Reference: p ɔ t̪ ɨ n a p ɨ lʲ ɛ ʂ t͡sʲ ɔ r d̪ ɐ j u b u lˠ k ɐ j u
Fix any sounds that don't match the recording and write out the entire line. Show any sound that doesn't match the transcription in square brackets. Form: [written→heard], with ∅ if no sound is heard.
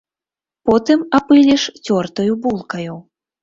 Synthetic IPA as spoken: p ɔ t̪ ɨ [n→m] a p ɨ lʲ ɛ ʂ t͡sʲ ɔ r [d̪→t̪] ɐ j u b u lˠ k ɐ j u